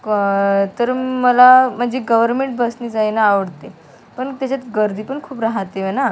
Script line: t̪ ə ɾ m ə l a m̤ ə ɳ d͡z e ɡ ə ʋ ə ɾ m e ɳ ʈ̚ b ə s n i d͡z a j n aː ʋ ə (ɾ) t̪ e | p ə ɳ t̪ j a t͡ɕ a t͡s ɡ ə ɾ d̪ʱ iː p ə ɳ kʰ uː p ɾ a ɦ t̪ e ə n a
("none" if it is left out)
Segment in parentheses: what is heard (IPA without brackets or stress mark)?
ɽ